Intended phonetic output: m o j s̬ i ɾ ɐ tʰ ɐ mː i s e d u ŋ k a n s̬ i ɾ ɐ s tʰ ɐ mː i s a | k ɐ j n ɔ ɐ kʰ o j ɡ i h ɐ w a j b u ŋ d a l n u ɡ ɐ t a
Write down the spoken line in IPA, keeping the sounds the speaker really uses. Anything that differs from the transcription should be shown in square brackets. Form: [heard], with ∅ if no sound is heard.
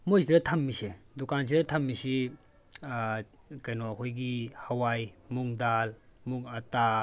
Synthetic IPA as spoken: m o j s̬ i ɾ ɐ tʰ ɐ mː i s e d u [∅] k a n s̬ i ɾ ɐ [∅] tʰ ɐ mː i s [i] | k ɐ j n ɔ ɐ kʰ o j ɡ i h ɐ w a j [m] u ŋ d a l [m] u [ŋ] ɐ t a